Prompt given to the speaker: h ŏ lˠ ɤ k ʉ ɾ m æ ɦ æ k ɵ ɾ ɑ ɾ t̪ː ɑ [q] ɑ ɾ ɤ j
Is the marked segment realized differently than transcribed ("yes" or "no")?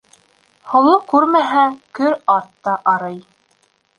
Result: yes